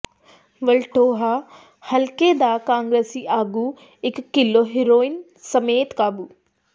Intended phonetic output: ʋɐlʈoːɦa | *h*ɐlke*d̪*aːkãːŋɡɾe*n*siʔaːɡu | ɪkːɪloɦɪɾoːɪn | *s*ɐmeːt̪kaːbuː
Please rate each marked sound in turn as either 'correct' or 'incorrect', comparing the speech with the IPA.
correct, correct, incorrect, correct

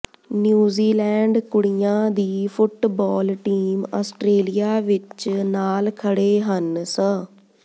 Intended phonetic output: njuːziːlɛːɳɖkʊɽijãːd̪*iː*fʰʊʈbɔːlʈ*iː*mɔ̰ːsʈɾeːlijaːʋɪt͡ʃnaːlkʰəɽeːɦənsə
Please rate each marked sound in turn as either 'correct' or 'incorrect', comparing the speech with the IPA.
correct, correct

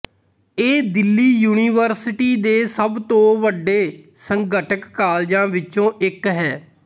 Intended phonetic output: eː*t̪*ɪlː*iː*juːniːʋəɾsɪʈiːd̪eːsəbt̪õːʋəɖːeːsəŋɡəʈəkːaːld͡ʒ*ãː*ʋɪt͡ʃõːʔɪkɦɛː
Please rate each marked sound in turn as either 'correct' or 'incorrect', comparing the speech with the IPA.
incorrect, correct, correct

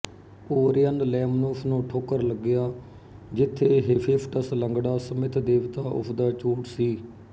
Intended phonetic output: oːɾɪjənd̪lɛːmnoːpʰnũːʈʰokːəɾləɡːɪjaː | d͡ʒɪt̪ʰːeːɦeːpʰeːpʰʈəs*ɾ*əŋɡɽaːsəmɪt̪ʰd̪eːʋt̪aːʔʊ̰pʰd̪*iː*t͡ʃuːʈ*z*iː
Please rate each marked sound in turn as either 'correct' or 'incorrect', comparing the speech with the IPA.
incorrect, incorrect, incorrect

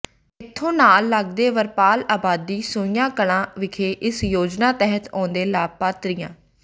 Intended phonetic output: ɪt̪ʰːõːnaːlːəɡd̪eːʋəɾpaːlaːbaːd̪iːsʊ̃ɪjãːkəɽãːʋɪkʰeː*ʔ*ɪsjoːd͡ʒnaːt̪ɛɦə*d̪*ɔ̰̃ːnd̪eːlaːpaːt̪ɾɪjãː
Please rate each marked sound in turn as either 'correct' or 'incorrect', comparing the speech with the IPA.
correct, incorrect

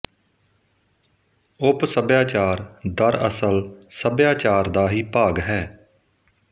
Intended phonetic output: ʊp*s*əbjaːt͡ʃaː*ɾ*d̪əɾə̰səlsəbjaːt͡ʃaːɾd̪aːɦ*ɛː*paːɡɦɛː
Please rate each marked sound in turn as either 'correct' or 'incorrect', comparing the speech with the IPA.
correct, correct, incorrect

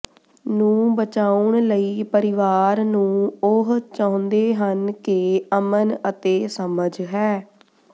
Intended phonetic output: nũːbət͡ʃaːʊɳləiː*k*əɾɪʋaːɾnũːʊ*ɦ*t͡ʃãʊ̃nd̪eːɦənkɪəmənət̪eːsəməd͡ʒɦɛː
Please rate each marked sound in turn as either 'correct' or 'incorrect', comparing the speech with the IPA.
incorrect, correct

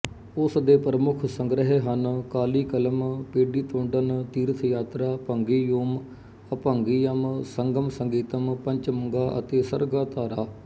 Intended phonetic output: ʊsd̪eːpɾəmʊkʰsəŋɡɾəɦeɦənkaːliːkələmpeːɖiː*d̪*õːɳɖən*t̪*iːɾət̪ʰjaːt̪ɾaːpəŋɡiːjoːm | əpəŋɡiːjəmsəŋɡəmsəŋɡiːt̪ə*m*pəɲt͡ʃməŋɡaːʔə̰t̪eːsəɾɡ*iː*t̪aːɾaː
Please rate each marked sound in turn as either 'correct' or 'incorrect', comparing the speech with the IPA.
incorrect, correct, correct, incorrect

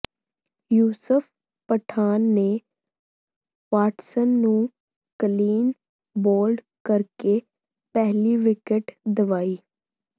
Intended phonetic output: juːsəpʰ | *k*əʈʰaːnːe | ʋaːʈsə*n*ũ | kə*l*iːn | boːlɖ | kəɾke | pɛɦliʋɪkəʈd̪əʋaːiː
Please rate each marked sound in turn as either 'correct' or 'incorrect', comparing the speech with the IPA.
incorrect, incorrect, correct

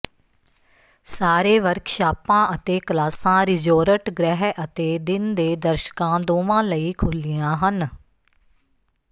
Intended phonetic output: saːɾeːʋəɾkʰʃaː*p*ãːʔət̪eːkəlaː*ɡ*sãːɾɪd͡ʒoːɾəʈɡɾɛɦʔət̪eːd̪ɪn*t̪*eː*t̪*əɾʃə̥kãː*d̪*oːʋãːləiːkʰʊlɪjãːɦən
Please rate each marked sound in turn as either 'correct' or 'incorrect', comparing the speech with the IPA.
correct, incorrect, incorrect, incorrect, correct

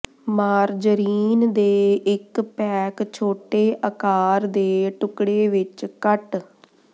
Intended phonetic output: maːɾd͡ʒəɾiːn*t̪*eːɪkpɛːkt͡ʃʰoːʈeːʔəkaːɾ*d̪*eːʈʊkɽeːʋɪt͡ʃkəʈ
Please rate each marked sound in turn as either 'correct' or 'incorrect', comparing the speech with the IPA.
incorrect, correct

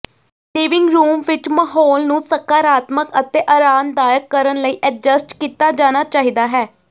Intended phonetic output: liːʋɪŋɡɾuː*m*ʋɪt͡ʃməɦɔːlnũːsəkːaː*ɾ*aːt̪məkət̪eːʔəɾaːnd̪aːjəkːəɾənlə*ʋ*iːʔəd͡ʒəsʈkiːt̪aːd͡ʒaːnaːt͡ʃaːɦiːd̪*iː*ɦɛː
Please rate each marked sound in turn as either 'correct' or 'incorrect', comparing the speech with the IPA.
correct, correct, incorrect, incorrect

